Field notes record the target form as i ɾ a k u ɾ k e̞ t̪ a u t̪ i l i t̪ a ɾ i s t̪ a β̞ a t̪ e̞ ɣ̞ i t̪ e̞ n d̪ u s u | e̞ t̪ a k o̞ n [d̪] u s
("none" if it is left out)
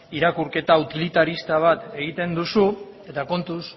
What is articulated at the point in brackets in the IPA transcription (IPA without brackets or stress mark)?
t̪